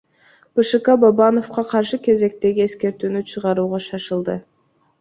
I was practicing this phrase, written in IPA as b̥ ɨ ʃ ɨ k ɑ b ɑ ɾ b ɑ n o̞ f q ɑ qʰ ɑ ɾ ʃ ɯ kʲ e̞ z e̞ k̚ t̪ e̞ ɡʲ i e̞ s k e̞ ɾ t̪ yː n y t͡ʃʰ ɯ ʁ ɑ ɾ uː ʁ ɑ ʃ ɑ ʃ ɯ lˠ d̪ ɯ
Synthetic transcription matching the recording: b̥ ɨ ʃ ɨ k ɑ b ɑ b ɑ n o̞ f q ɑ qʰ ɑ ɾ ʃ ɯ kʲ e̞ z e̞ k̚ t̪ e̞ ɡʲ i e̞ s k e̞ ɾ t̪ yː n y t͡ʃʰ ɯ ʁ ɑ ɾ uː ʁ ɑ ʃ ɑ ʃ ɯ lˠ d̪ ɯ